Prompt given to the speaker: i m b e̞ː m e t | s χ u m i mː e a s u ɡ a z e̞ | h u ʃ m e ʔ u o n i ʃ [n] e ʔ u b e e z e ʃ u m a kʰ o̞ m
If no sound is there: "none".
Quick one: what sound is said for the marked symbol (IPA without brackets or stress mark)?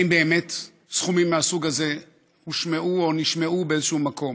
m